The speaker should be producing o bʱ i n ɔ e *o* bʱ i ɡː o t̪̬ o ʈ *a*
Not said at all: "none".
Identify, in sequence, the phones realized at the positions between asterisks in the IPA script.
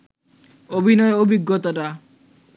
o, a

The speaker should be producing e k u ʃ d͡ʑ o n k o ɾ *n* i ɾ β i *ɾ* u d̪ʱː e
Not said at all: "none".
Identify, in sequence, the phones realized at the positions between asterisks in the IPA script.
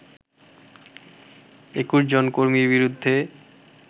m, ɾ

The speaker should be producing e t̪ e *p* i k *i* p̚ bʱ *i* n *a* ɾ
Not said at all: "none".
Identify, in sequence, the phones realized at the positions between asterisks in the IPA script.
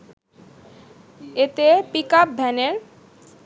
p, a, ɛ, e

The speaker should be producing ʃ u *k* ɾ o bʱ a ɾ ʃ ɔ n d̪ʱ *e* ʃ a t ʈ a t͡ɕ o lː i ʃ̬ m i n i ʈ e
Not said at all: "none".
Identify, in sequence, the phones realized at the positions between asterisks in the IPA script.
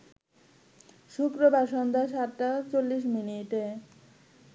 k, a

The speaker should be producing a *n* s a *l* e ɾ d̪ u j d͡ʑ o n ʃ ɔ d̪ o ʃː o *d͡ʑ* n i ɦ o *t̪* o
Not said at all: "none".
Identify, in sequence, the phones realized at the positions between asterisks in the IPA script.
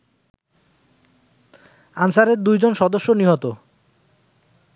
n, ɾ, none, t̪

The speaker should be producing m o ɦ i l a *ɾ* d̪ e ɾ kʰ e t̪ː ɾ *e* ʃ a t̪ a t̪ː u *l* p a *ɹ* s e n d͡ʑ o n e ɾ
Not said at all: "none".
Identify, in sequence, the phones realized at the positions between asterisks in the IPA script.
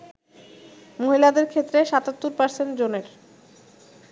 none, e, ɾ, ɾ

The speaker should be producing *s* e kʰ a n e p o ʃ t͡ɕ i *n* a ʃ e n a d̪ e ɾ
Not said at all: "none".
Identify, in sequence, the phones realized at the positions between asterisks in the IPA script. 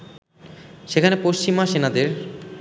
ʃ, m

